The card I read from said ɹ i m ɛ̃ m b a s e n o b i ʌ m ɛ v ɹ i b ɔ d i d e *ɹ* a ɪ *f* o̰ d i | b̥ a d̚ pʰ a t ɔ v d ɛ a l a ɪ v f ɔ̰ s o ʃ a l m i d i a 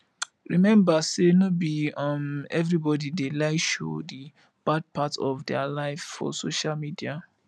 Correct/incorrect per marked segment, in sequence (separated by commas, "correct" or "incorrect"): incorrect, incorrect